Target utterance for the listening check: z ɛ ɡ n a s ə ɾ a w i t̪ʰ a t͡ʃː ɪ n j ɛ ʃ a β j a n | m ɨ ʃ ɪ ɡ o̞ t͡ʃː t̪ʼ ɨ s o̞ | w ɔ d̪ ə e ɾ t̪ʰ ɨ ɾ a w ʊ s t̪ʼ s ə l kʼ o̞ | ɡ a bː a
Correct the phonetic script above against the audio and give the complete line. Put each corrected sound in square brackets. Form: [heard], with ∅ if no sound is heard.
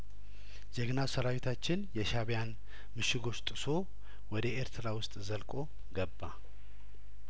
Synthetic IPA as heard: z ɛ ɡ n a s ə ɾ a w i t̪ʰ a t͡ʃː ɪ n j ɛ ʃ a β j a n | m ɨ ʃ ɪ ɡ o̞ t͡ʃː t̪ʼ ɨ s o̞ | w ɔ d̪ ə e ɾ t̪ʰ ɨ ɾ a w ʊ s t̪ʼ [z] ə l kʼ o̞ | ɡ [ə] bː a

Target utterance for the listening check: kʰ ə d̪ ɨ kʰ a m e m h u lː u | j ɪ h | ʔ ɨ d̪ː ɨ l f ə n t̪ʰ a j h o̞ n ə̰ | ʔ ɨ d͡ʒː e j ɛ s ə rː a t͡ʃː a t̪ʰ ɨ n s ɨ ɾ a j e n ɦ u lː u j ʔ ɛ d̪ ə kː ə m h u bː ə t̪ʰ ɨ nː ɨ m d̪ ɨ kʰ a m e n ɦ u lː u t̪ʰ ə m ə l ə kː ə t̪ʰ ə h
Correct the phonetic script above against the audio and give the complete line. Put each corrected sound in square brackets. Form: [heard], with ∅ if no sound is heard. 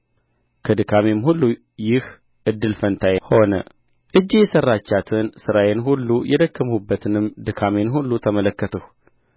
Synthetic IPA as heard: kʰ ə d̪ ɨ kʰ a m e m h u lː u | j ɪ h | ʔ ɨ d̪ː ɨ l f ə n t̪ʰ a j h o̞ n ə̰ | ʔ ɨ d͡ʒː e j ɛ s ə rː a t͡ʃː a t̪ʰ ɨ n s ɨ ɾ a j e n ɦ u lː u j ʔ ɛ d̪ ə kː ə m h u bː ə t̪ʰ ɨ [n] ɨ m d̪ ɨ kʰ a m e n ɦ u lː u t̪ʰ ə m ə l ə kː ə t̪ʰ ə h

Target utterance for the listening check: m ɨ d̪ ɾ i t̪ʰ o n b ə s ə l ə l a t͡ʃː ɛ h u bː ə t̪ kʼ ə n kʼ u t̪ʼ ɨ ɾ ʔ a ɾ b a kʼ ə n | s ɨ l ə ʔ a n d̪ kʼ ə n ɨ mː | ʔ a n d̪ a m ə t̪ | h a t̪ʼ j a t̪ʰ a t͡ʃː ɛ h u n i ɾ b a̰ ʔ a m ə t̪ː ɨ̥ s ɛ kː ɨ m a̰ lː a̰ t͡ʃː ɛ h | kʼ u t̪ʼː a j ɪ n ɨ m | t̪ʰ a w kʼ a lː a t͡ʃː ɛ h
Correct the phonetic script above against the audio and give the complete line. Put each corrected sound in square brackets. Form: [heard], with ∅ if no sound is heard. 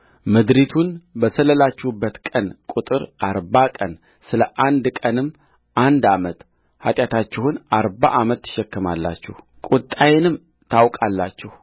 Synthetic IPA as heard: m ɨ d̪ ɾ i t̪ʰ [u] n b ə s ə l ə l a t͡ʃː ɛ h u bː ə t̪ kʼ ə n kʼ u t̪ʼ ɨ ɾ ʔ a ɾ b a kʼ ə n | s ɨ l ə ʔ a n d̪ kʼ ə n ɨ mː | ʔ a n d̪ a m ə t̪ | h a t̪ʼ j a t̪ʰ a t͡ʃː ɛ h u n [a] ɾ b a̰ ʔ a m ə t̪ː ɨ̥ [ʃ] ɛ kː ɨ m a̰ lː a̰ t͡ʃː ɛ h | kʼ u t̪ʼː a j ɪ n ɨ m | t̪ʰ a w kʼ a lː a t͡ʃː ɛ h

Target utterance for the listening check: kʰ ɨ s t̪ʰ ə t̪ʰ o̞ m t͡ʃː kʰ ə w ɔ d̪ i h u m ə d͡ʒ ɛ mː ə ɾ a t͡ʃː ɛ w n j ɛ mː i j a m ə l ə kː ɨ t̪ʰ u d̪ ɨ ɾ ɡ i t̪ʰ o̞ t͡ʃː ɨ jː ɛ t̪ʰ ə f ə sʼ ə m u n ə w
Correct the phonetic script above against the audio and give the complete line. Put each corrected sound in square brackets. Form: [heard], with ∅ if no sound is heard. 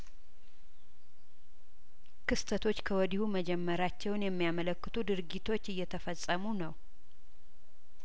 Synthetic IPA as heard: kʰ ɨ s t̪ʰ ə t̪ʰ o̞ [∅] t͡ʃː kʰ ə w ɔ d̪ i h u m ə d͡ʒ ɛ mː ə ɾ a t͡ʃː ɛ w n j ɛ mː i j a m ə l ə kː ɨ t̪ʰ u d̪ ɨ ɾ ɡ i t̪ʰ o̞ t͡ʃː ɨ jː ɛ t̪ʰ ə f ə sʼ ə m u n ə w

